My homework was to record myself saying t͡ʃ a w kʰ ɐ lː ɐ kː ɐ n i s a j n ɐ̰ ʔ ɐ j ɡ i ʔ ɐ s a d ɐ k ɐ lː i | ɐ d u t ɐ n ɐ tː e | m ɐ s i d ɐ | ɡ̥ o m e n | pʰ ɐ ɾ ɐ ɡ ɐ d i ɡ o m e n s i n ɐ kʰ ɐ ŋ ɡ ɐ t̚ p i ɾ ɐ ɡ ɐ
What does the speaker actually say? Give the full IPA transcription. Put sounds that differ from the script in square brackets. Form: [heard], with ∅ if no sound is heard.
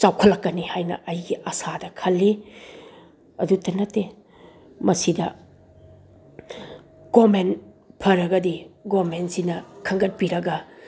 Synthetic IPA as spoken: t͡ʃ a w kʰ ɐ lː ɐ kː ɐ n i [h] a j n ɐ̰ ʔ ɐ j ɡ i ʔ ɐ s a d ɐ [kʰ] ɐ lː i | ɐ d u t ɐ n ɐ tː e | m ɐ s i d ɐ | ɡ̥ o m e n | pʰ ɐ ɾ ɐ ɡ ɐ d i ɡ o m e n s i n ɐ kʰ ɐ ŋ ɡ ɐ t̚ p i ɾ ɐ ɡ ɐ

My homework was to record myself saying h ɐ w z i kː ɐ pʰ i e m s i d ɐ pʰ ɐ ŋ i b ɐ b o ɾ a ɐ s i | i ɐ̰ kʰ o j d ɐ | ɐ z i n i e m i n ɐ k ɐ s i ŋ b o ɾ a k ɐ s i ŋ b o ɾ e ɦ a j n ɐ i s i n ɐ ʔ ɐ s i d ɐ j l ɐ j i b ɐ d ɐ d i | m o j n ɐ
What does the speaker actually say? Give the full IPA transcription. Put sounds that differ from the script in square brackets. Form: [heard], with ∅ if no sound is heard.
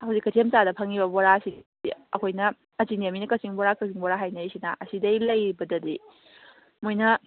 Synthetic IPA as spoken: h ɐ w z i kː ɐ [tʰ] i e m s [a] d ɐ pʰ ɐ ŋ i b ɐ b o ɾ a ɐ s i | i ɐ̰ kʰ o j [n] ɐ | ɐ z i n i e m i n ɐ k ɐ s i ŋ b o ɾ a k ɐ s i ŋ b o ɾ [a] ɦ a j n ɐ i s i n ɐ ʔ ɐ s i d ɐ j l ɐ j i b ɐ d ɐ d i | m o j n ɐ

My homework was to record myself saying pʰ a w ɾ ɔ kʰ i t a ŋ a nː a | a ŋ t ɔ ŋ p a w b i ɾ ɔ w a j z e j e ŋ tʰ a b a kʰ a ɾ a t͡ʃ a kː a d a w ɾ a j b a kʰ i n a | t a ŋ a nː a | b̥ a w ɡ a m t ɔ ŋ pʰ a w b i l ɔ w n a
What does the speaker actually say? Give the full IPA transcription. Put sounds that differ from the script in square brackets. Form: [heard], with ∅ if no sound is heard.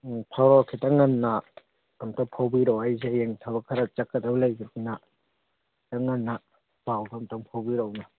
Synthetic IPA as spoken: pʰ a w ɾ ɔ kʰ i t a ŋ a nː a | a [m] t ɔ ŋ [pʰ] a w b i ɾ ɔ w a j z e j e ŋ tʰ a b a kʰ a ɾ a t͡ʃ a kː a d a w [l] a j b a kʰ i n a | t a ŋ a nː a | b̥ a w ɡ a m t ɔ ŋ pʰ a w b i [ɾ] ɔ w n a

